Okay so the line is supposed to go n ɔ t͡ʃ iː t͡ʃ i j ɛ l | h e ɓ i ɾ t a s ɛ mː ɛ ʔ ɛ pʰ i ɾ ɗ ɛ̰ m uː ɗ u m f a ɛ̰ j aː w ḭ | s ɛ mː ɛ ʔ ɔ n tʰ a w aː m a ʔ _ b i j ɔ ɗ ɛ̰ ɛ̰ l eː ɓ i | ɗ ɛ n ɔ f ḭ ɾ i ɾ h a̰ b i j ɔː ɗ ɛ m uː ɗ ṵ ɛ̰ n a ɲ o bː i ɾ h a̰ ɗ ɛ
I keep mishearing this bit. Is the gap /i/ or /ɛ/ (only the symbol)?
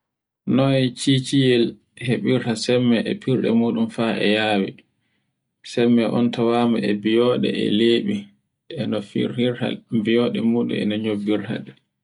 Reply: ɛ